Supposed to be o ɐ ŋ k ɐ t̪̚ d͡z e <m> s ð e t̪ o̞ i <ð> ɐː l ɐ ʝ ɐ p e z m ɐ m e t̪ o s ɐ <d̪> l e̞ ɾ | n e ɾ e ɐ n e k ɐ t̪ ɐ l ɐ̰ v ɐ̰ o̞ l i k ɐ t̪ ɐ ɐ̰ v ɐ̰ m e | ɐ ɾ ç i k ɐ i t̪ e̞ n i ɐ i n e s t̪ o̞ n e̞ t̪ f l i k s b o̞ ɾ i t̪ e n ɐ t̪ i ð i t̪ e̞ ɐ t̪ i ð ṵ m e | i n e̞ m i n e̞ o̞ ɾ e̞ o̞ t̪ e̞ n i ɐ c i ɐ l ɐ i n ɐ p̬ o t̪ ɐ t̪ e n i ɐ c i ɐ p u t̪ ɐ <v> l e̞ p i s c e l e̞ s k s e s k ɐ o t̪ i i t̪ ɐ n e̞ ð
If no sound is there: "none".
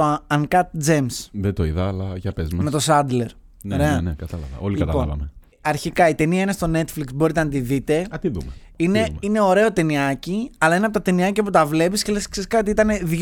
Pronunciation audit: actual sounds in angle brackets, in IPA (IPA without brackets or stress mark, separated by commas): m, ð, d̪, v